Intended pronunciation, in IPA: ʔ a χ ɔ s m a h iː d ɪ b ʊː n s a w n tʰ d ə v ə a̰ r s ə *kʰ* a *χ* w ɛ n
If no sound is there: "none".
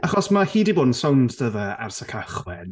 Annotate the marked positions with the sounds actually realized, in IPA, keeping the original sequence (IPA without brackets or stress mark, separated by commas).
kʰ, χ